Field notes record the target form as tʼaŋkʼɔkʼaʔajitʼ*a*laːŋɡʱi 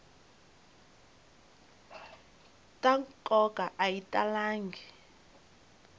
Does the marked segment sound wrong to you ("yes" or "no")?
no